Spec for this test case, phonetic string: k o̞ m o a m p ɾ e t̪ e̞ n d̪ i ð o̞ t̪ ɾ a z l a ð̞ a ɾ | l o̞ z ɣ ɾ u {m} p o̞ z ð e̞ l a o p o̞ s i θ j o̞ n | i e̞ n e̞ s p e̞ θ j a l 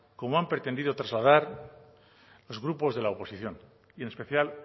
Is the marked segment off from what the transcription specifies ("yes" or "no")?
yes